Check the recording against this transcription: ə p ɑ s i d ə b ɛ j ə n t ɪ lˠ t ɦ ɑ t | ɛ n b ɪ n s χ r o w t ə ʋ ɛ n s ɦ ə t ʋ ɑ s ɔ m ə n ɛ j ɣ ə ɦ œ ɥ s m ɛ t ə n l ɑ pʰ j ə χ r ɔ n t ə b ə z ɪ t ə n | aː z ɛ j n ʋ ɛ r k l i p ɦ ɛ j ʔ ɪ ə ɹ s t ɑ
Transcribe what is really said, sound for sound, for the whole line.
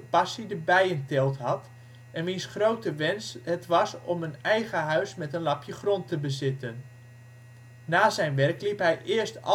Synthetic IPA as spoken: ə p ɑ s i d ə b ɛ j ə n t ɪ lˠ t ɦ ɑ t | ɛ n m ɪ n s χ r o w t ə ʋ ɛ n s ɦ ə t ʋ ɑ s ɔ m ə n ɛ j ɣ ə ɦ œ ɥ s m ɛ t ə n l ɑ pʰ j ə χ r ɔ n t ə b ə z ɪ t ə n | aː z ɛ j n ʋ ɛ r k l i p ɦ ɛ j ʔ ɪ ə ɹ s t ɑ